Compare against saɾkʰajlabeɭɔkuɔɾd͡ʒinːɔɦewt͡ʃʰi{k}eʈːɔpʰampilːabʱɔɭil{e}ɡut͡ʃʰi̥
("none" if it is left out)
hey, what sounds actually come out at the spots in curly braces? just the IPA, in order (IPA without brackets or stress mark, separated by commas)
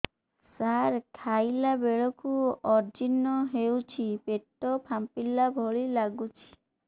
p, a